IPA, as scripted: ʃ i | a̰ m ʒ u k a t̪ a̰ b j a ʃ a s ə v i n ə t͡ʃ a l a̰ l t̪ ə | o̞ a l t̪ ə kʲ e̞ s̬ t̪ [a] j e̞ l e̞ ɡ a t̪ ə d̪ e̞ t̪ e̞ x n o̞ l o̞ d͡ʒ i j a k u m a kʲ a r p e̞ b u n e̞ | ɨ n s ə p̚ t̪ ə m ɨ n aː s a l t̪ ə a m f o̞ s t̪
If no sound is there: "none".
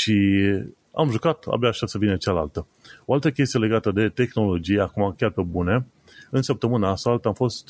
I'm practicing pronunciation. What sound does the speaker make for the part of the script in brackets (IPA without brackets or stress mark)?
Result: i